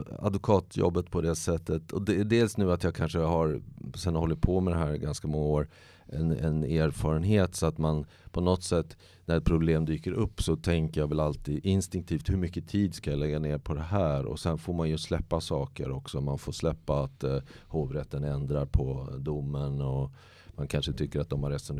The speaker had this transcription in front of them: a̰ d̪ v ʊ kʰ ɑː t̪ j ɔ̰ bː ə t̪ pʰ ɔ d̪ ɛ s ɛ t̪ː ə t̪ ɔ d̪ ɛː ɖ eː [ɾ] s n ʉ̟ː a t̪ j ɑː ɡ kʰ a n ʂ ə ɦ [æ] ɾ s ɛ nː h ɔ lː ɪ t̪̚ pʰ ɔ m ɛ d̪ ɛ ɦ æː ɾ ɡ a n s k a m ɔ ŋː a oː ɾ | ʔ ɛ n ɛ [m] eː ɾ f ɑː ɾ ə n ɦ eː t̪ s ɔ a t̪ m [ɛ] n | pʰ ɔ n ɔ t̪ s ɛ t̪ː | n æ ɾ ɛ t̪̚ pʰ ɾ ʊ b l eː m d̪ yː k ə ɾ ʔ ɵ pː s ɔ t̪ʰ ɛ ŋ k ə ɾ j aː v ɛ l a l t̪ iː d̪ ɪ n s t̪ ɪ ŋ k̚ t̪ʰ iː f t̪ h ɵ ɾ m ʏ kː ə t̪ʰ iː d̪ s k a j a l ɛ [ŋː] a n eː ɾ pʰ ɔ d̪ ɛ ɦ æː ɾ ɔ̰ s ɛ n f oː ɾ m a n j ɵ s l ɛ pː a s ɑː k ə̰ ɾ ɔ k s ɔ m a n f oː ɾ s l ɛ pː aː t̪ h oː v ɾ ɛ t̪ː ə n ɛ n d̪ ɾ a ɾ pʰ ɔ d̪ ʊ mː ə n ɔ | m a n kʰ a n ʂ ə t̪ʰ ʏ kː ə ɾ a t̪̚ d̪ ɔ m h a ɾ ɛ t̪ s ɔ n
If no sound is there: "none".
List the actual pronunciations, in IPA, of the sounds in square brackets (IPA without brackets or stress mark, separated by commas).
l, a, n, a, ɡː